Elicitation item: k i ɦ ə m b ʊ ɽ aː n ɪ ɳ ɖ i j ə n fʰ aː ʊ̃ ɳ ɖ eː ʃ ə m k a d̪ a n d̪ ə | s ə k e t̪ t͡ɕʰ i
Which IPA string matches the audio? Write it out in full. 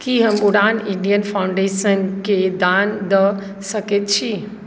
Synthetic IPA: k i ɦ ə m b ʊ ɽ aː n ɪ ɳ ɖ i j ə n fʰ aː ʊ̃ ɳ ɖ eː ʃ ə n k e d̪ a n d̪ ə | s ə k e t̪ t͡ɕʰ i